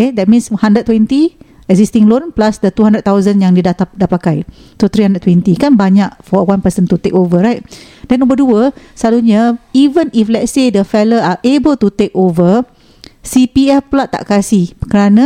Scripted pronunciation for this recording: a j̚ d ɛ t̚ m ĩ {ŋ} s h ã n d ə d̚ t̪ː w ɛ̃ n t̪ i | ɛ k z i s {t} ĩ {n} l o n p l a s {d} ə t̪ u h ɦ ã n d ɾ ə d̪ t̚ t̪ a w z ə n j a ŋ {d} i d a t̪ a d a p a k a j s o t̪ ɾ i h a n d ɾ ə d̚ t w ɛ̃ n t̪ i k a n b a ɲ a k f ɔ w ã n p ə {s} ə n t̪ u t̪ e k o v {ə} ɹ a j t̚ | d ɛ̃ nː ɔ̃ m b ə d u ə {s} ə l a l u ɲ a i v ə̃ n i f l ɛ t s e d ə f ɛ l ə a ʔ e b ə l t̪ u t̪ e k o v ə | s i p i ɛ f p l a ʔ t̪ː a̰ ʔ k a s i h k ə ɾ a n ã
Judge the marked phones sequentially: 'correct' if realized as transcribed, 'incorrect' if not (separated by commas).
incorrect, correct, incorrect, correct, correct, correct, correct, correct